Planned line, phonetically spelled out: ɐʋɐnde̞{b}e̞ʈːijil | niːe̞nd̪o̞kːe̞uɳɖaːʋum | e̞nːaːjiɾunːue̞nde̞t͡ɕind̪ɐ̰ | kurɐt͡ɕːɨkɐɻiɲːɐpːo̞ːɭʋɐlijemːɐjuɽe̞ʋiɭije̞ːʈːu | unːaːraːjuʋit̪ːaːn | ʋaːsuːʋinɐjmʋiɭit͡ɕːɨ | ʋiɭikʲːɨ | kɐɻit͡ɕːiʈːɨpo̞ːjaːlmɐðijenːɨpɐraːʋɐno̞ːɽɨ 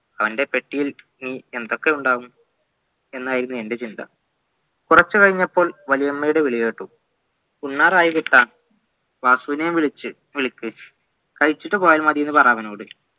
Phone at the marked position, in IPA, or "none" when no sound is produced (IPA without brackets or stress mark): p